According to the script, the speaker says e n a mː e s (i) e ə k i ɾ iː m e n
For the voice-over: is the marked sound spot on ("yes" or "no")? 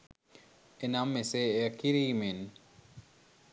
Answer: no